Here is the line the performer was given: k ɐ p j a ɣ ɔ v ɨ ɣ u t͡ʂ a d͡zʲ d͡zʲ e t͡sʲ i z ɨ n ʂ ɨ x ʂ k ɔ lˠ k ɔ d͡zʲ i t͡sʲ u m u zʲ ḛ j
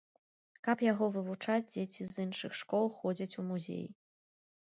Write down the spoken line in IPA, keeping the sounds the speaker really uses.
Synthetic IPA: k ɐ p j a ɣ ɔ v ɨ v u t͡ʂ a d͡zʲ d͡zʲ e t͡sʲ i z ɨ n ʂ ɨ x ʂ k ɔ lˠ x ɔ d͡zʲ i t͡sʲ u m u zʲ ḛ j